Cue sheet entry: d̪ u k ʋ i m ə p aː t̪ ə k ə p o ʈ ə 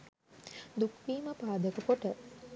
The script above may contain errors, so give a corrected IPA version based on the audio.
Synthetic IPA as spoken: d̪ u k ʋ iː m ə p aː d̪ ə k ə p o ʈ ə